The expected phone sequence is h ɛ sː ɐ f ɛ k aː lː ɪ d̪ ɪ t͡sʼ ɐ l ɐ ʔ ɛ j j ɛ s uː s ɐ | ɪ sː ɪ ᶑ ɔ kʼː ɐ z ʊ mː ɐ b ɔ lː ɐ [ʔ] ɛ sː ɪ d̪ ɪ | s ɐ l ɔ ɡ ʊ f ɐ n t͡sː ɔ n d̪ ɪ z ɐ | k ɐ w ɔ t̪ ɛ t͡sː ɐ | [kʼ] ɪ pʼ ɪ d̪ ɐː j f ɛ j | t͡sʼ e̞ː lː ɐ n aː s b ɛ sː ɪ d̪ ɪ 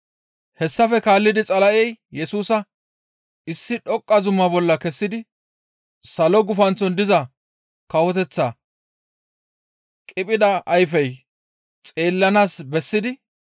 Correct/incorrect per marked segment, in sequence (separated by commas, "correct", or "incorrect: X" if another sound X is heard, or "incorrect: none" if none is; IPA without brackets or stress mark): incorrect: k, correct